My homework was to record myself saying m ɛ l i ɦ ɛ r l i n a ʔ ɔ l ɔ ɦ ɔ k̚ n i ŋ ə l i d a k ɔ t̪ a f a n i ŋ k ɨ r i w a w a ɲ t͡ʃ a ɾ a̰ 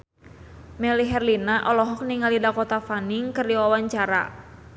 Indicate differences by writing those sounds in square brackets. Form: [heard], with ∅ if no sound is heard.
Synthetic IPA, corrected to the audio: m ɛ l i ɦ ɛ r l i n a ʔ ɔ l ɔ ɦ ɔ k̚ n i ŋ [a] l i d a k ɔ t̪ a f a n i ŋ k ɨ r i w a w a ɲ t͡ʃ a ɾ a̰